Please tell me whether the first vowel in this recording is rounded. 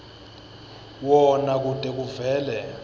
yes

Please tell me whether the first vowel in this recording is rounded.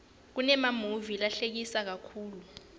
yes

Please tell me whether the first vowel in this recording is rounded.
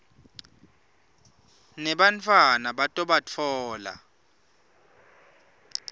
no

